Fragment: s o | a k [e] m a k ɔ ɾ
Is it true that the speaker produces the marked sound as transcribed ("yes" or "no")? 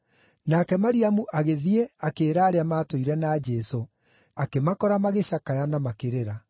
yes